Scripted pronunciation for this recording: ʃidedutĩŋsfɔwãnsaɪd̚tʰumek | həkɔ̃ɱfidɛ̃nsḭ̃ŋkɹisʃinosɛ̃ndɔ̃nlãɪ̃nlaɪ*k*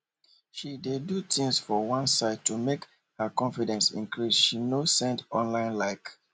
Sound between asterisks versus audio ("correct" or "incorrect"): correct